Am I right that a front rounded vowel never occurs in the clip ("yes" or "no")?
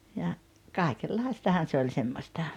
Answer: yes